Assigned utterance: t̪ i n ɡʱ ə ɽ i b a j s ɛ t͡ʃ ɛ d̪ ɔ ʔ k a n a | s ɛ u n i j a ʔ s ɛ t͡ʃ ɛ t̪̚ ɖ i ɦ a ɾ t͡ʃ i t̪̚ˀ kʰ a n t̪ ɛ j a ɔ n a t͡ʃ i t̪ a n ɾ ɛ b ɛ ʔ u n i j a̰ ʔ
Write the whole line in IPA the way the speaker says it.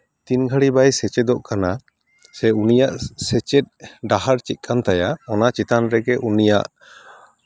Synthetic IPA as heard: t̪ i n ɡʱ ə ɽ i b a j s ɛ t͡ʃ ɛ d̪ ɔ ʔ k a n a | s ɛ u n i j a ʔ s ɛ t͡ʃ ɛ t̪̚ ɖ a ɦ a ɾ t͡ʃ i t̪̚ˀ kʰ a n t̪ a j a ɔ n a t͡ʃ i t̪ a n ɾ ɛ ɡ ɛ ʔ u n i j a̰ ʔ